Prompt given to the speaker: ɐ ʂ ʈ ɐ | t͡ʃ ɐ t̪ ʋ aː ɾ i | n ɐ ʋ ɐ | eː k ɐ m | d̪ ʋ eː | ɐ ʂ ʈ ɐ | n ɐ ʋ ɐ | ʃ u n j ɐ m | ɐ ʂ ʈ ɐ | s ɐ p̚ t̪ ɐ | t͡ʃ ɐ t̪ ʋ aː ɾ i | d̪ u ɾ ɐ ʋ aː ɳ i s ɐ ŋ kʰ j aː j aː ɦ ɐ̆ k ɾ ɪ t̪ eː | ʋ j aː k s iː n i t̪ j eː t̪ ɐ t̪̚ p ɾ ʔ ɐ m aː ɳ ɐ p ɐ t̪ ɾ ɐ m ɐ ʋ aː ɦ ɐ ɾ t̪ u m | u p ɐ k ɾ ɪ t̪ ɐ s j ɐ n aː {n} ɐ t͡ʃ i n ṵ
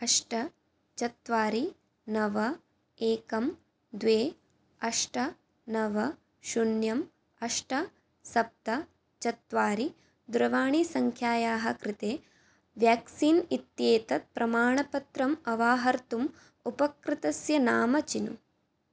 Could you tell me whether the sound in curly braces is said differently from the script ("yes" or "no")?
yes